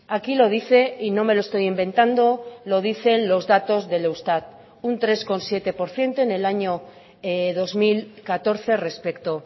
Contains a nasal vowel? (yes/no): no